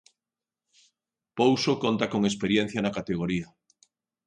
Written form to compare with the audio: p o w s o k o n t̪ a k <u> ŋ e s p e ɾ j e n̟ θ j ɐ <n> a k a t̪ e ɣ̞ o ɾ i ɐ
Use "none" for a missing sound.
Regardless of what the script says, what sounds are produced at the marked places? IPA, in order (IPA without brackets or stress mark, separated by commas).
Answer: o, n